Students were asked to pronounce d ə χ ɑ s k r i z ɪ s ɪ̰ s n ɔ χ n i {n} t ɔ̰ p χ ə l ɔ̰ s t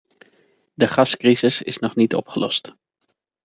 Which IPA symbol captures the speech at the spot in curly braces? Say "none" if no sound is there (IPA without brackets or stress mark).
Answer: none